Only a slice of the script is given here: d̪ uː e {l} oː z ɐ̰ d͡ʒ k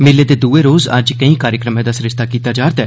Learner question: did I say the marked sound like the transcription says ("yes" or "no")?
no